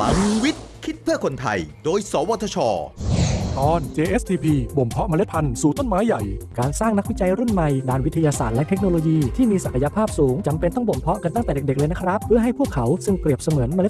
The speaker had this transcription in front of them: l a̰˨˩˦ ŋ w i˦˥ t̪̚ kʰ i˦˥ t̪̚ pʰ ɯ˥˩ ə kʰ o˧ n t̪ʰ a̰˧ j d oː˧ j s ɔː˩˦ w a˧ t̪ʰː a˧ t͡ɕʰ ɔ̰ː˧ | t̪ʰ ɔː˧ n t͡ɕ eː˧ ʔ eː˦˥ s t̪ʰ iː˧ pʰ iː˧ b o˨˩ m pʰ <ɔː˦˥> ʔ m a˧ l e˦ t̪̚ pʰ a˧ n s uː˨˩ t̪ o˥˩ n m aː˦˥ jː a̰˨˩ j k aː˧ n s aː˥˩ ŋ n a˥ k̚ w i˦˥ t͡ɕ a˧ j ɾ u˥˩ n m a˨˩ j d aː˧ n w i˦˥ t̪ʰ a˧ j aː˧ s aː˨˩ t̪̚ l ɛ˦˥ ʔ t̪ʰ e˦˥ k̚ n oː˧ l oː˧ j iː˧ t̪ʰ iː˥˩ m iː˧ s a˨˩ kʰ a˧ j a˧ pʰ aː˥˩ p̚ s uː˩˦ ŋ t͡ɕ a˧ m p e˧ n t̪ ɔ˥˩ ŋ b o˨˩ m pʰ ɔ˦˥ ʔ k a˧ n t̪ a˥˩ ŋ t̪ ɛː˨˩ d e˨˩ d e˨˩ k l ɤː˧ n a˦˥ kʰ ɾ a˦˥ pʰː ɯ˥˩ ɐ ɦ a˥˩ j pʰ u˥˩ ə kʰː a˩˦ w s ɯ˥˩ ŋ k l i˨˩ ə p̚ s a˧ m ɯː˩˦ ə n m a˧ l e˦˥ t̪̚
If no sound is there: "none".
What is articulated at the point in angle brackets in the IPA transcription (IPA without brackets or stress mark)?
ɔ˦˥